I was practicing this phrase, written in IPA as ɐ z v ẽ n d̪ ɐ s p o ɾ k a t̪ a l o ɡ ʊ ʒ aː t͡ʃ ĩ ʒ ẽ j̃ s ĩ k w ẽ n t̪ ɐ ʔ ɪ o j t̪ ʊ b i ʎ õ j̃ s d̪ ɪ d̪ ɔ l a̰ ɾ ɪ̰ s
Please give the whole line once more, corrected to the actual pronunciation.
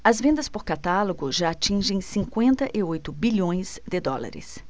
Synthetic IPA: ɐ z v ẽ n d̪ ɐ s p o ɾ k a t̪ a l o ɡ ʊ ʒ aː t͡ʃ ĩ ʒ ẽ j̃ s ĩ k w ẽ n t̪ ɐ ʔ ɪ o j t̪ ʊ b i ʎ õ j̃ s d̪ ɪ d̪ ɔ l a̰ ɾ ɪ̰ s